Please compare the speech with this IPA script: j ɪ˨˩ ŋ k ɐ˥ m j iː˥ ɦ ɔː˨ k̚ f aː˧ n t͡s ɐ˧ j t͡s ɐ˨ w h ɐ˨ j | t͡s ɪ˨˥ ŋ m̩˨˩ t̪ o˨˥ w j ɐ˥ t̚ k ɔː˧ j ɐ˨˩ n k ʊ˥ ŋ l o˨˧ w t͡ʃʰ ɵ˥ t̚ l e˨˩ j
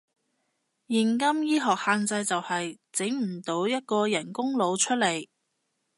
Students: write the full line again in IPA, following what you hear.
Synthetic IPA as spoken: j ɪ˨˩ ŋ k ɐ˥ m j iː˥ ɦ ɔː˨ k̚ h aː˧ n t͡s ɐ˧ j t͡s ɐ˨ w h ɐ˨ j | t͡s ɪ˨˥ ŋ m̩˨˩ t̪ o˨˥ w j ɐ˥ t̚ k ɔː˧ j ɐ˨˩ n k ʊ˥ ŋ l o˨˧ w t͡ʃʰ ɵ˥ t̚ l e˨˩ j